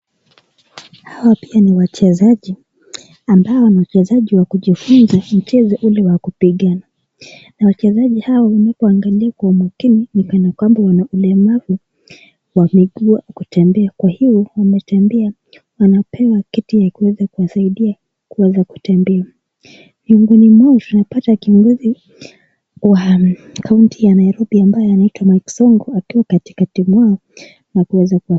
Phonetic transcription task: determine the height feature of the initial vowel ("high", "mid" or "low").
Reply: low